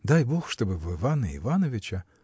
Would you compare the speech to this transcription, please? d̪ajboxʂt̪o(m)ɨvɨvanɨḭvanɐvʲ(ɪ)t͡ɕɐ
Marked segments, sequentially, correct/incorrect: incorrect: b, correct

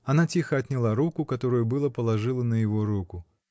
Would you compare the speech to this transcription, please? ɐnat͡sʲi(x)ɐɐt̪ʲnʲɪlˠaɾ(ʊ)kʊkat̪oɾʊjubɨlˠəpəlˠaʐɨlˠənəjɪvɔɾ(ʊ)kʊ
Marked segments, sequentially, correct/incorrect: correct, incorrect: u, incorrect: u

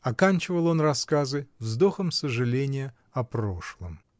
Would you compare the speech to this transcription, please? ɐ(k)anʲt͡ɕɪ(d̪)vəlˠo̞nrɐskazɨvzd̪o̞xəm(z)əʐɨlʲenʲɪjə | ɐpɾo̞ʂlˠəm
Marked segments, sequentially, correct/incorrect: correct, incorrect: none, incorrect: s

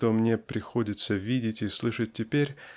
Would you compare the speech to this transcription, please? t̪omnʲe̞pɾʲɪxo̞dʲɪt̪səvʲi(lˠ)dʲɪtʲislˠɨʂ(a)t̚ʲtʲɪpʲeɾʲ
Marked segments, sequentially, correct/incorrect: incorrect: none, incorrect: ə

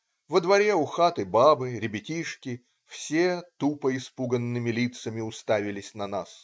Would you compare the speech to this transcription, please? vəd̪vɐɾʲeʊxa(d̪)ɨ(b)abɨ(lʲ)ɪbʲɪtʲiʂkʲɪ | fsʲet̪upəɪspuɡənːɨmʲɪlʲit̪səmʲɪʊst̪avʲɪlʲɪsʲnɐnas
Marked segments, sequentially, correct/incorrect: incorrect: t̪, correct, incorrect: ɾʲ

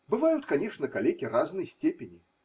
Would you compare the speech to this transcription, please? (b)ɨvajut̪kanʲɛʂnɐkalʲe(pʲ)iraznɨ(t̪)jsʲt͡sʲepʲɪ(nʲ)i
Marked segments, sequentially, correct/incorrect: correct, incorrect: kʲ, incorrect: none, correct

